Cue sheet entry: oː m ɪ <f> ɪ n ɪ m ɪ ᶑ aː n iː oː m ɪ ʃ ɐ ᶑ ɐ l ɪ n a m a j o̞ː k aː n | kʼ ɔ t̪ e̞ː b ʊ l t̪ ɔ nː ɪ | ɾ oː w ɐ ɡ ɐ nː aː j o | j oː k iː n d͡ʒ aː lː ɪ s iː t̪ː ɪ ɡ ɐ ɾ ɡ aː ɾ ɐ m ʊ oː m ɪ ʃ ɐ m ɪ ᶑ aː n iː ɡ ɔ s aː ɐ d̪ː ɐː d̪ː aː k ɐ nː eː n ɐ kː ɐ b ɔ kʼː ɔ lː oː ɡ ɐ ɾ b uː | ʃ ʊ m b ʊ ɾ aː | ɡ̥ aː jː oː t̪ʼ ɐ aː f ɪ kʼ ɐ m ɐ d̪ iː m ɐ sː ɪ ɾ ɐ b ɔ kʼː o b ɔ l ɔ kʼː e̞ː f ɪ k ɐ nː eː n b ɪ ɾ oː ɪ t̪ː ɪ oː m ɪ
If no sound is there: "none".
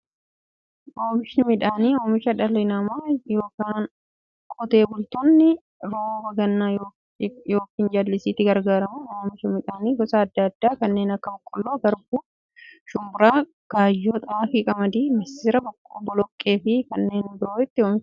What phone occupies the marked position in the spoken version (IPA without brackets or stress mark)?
ʃ